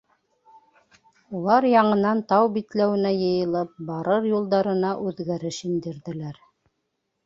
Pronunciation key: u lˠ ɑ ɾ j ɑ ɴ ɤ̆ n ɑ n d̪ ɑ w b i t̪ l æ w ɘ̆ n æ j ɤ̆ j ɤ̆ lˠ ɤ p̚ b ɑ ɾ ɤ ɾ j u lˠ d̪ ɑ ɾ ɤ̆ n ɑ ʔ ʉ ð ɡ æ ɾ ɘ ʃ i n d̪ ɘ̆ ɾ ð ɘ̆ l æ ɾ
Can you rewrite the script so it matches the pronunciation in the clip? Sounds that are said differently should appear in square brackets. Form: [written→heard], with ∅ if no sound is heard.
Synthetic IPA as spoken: u lˠ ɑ ɾ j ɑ ɴ ɤ̆ n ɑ n [d̪→t̪] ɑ w b i t̪ l æ w ɘ̆ n æ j ɤ̆ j ɤ̆ lˠ ɤ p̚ b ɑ ɾ ɤ ɾ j u lˠ d̪ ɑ ɾ ɤ̆ n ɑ ʔ ʉ ð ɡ æ ɾ ɘ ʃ i n d̪ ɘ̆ ɾ ð ɘ̆ l æ ɾ